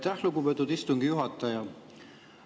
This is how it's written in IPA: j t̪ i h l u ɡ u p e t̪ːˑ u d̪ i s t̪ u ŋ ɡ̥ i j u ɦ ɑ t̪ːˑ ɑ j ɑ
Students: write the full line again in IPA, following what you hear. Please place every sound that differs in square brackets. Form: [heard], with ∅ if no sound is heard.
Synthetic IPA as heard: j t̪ [æ] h l u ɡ u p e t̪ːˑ u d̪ i s t̪ u ŋ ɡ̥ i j u ɦ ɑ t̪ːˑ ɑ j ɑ